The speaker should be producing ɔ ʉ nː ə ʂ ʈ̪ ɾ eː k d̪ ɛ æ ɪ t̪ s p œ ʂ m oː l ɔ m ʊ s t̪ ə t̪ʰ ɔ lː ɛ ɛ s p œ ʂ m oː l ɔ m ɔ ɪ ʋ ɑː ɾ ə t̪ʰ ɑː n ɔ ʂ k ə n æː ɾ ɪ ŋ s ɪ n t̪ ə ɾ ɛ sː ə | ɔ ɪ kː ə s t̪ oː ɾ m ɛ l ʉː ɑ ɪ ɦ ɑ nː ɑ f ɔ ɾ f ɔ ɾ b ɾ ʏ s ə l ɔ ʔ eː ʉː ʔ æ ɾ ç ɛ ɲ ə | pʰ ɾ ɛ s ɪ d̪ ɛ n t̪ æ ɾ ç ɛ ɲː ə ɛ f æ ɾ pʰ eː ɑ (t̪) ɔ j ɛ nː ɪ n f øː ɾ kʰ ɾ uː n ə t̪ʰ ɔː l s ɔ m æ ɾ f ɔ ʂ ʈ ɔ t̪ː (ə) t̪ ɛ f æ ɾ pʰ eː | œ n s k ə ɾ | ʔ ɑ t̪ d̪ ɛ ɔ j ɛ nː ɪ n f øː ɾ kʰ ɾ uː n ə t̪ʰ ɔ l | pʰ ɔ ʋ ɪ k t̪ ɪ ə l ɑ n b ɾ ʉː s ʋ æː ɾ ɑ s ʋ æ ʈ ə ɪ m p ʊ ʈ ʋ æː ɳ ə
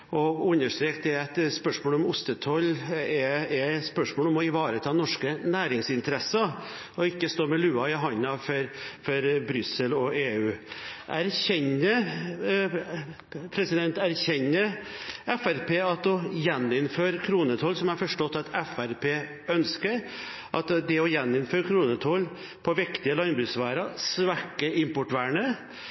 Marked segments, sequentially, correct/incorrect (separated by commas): correct, incorrect